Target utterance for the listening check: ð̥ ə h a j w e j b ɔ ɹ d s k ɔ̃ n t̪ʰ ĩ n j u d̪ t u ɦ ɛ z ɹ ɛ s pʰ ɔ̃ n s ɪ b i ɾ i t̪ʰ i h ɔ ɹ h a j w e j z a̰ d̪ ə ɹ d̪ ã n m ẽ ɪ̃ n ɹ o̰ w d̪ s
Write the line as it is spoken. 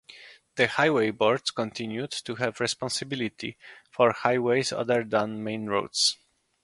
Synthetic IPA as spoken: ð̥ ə h a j w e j b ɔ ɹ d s k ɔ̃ n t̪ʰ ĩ n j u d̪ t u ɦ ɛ v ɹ ɛ s p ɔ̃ n s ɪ b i l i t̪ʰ i f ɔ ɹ h a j w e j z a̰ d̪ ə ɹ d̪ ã n m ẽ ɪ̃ n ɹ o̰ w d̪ s

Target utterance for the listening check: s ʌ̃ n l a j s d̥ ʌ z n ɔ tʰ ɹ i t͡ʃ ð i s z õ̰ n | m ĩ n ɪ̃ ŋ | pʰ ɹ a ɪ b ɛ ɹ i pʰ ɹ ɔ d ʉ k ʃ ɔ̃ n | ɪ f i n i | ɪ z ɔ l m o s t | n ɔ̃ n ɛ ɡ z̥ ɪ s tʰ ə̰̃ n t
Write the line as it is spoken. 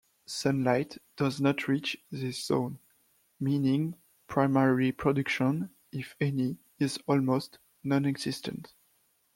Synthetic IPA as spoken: s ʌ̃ n l a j t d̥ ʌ z n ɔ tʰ ɹ i t͡ʃ ð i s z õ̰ n | m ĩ n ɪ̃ ŋ | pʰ ɹ a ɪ m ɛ ɹ i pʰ ɹ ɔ d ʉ k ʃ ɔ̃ n | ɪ f ɛ n i | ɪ z ɔ l m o s t | n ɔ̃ n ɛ ɡ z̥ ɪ s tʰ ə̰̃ n t

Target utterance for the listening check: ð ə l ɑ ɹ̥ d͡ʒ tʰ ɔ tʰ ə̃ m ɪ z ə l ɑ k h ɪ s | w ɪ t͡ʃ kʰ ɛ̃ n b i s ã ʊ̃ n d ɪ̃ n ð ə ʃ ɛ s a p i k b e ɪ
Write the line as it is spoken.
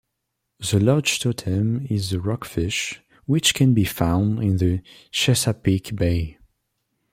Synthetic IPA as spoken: ð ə l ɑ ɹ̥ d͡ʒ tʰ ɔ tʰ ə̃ m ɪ z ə ɹ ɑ k f ɪ ʃ | w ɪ t͡ʃ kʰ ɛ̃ n b i f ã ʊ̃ n d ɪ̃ n ð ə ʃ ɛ s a p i k b e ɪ

